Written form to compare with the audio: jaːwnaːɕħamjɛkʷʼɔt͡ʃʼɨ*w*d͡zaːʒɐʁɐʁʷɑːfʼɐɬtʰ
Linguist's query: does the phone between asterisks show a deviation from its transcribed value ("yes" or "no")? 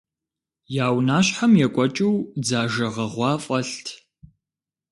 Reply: no